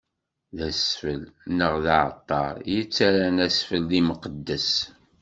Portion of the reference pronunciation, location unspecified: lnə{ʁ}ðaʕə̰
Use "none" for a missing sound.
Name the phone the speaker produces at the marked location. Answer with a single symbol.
ʁ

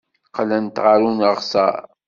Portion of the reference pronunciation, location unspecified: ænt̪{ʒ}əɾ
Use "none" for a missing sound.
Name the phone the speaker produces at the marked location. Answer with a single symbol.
ʁ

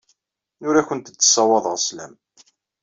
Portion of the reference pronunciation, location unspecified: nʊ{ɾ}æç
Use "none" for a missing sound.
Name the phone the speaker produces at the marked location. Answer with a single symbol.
ɾ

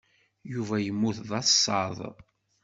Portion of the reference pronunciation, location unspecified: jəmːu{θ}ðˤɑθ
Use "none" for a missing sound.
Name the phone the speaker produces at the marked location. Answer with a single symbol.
θ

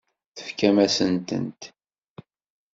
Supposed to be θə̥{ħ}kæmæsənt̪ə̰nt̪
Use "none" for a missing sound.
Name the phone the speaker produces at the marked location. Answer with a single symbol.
f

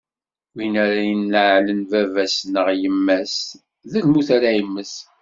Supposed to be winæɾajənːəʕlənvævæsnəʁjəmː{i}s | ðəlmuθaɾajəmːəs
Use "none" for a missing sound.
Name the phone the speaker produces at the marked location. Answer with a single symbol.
æ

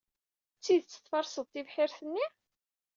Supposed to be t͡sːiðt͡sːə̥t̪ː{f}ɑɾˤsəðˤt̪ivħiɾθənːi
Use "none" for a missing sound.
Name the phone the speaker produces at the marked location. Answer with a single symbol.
f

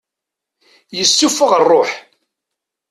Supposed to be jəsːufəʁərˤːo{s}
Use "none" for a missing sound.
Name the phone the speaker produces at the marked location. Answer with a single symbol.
ħ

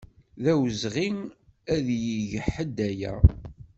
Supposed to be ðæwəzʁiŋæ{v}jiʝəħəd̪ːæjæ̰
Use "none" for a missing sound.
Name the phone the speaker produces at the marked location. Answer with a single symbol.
ð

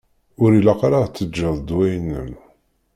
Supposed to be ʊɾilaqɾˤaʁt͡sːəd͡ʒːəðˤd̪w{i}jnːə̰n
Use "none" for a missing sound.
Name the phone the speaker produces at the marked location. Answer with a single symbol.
æ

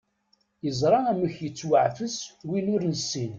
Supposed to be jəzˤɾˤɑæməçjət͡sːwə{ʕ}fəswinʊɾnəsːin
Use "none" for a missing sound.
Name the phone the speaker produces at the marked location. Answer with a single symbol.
ʕ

